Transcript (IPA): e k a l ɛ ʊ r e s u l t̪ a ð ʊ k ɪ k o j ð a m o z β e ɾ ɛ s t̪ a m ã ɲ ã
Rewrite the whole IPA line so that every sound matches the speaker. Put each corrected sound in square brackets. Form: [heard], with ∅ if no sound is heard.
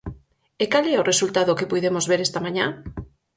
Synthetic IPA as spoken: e k a l ɛ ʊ r e s u l t̪ a ð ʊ k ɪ [p] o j ð [e] m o z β e ɾ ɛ s t̪ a m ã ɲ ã